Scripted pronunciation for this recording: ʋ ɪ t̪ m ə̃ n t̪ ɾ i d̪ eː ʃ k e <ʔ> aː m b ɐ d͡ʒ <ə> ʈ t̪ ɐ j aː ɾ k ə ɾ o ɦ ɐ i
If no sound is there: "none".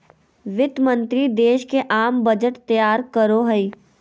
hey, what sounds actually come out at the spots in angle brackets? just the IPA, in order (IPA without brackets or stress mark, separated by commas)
ʔ, ə